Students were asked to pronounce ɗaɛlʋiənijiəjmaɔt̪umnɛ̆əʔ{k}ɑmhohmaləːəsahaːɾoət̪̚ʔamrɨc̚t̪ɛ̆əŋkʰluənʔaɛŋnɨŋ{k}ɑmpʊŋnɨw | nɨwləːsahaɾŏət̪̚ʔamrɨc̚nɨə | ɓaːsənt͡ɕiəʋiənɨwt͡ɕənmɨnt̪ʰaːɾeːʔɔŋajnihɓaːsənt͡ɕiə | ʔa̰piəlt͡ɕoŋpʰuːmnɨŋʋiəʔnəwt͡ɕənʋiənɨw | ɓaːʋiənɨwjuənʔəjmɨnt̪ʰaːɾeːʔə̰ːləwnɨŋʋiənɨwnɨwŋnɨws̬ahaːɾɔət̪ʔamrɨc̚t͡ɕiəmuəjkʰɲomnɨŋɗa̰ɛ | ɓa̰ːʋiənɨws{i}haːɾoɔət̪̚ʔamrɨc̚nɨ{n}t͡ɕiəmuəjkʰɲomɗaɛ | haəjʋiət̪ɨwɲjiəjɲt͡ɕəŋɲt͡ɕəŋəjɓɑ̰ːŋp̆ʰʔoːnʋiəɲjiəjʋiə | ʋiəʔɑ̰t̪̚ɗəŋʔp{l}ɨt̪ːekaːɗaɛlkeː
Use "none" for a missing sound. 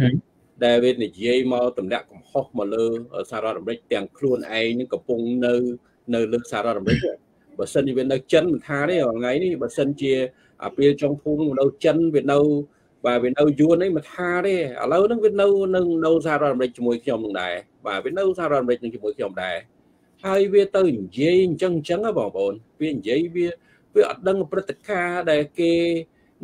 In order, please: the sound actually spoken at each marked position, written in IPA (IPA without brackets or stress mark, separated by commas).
k, k, a, ŋ, r